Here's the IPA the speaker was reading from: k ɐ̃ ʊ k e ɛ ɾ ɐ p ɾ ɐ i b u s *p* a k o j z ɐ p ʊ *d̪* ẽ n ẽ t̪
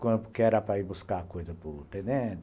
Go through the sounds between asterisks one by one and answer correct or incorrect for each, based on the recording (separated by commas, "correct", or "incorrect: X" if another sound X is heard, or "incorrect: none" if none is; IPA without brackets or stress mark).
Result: incorrect: k, incorrect: t̪